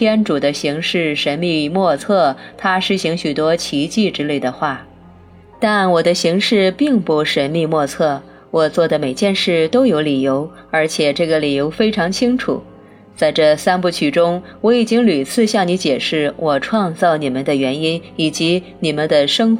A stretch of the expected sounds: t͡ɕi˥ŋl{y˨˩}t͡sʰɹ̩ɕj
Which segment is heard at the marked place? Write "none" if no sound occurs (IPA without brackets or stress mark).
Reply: y˨˩